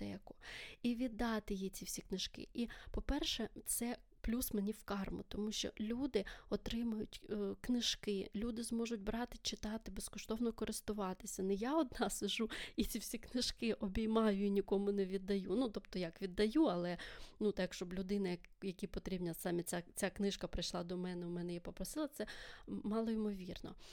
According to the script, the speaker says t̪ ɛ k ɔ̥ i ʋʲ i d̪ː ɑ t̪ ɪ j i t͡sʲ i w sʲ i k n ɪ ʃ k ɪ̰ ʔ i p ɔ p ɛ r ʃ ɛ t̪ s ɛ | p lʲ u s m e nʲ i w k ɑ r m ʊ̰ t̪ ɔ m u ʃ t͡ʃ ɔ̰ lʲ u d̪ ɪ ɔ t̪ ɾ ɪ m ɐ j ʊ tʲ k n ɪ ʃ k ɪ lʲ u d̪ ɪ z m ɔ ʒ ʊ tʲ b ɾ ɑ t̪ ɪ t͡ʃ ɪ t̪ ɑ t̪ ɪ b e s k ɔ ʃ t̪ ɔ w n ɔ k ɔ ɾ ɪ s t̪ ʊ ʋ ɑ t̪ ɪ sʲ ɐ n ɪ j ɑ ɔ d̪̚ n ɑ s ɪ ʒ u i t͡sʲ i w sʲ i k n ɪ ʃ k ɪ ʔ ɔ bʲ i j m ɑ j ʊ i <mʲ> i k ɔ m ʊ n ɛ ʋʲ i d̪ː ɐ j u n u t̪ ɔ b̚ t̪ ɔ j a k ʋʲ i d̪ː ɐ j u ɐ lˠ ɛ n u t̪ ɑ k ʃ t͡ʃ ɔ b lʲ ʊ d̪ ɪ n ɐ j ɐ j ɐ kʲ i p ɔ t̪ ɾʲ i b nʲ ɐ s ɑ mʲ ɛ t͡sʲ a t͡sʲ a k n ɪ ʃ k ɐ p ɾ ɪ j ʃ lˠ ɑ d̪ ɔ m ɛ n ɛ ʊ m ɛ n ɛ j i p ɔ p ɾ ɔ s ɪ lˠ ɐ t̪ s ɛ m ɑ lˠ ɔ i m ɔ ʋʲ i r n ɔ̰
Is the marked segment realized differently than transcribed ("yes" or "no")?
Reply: yes